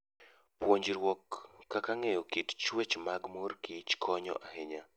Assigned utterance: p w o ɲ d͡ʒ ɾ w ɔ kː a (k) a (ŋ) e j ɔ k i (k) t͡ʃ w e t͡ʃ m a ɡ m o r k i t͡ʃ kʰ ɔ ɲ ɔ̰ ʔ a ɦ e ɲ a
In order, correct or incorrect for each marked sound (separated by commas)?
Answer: correct, correct, incorrect